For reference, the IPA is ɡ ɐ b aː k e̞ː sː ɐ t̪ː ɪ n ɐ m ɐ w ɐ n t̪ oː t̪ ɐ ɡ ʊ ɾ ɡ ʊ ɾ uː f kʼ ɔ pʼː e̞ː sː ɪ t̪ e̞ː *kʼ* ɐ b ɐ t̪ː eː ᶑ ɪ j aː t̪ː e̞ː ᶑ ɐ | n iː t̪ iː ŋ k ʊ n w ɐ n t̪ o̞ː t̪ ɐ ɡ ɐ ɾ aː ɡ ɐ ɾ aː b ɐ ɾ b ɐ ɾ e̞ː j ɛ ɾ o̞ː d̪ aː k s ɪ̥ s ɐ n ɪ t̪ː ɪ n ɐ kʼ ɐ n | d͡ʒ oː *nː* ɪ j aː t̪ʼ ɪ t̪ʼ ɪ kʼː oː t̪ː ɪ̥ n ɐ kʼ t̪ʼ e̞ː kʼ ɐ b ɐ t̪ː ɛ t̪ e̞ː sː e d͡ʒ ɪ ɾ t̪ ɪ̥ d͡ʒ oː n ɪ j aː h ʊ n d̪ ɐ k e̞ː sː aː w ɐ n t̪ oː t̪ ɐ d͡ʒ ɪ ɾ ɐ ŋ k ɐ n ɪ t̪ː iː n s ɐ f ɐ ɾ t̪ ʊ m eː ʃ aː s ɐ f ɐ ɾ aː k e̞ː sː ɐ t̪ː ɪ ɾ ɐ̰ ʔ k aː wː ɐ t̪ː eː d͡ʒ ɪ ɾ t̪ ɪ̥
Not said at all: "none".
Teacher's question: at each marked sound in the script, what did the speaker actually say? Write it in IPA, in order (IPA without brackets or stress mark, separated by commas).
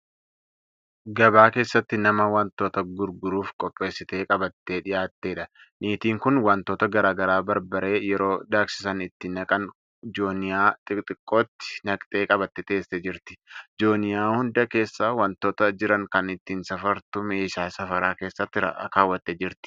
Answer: kʼ, n